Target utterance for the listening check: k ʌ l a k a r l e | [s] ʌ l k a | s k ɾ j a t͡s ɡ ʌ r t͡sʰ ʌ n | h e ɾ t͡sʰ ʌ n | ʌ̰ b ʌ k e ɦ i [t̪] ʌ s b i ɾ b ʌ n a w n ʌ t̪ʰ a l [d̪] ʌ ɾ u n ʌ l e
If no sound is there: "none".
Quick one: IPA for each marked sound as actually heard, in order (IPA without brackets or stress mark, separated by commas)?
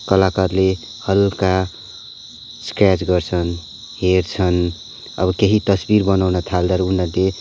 h, t̪, d̪